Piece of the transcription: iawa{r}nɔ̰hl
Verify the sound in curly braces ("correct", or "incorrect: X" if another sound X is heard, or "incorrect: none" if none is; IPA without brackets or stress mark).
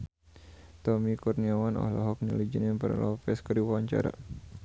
incorrect: none